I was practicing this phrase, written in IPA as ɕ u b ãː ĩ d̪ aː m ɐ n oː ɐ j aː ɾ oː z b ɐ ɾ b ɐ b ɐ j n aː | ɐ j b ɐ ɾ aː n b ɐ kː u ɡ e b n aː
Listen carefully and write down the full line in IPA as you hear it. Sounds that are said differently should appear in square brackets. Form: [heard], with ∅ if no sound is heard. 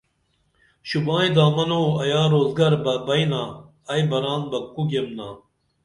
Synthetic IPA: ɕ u b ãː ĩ d̪ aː m ɐ n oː ɐ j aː ɾ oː z [ɡ] ɐ ɾ b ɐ b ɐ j n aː | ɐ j b ɐ ɾ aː n b ɐ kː u ɡ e [m] n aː